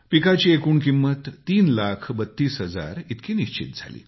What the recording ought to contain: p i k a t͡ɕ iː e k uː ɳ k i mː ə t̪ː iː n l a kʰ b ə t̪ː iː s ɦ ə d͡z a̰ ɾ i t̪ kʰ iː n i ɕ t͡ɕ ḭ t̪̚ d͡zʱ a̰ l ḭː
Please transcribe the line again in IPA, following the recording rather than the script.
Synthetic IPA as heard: p i k a t͡ɕ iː e k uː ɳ k i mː ə t̪ː iː n l a kʰ b ə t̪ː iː s ɦ ə d͡z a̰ ɾ i t̪ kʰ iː n i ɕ t͡ɕ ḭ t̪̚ d͡zʱ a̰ l ḭː